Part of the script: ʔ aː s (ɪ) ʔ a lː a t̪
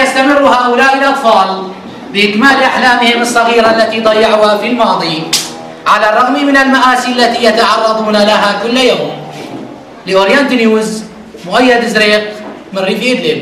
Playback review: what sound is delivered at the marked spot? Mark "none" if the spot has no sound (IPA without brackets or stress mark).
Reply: i